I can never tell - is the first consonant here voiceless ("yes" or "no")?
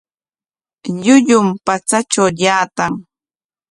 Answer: no